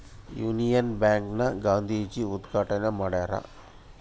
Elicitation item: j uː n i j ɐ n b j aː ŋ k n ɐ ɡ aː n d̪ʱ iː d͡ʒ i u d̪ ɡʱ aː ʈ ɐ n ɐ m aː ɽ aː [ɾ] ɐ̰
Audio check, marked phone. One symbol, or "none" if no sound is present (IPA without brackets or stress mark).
ɾ